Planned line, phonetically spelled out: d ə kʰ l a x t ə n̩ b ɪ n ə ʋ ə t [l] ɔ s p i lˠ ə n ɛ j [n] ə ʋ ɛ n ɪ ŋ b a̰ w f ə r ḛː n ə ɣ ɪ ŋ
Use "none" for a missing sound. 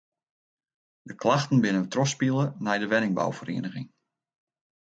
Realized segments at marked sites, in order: r, d

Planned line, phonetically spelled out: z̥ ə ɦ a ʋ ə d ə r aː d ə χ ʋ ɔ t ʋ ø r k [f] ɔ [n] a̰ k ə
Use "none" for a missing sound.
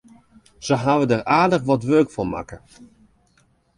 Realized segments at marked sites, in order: f, m

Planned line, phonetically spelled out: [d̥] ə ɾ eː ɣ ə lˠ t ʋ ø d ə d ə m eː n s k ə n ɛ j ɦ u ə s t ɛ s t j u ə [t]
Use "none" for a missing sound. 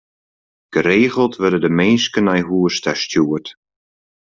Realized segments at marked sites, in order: ɡ̥, t

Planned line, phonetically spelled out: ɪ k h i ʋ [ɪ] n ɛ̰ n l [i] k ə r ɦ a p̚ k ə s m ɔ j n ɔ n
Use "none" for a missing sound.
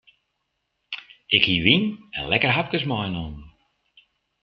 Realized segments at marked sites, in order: i, ɛ

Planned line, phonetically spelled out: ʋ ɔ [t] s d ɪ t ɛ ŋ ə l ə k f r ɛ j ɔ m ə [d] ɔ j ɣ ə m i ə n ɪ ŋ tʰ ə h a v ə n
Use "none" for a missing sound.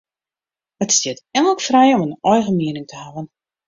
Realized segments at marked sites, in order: t, n

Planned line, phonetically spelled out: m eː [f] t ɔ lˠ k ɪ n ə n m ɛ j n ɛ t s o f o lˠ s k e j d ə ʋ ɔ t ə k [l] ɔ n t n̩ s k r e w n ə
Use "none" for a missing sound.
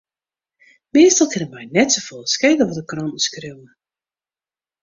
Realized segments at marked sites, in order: s, r

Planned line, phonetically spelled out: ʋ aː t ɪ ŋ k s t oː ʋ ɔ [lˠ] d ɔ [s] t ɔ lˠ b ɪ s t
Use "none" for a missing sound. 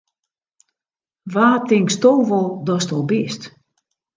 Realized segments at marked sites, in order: lˠ, s

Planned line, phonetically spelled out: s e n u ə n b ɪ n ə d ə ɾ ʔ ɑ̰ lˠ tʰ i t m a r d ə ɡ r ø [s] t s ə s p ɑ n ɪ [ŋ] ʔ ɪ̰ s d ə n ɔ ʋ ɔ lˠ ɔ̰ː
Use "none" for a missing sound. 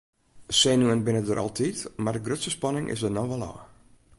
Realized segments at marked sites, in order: none, ŋ

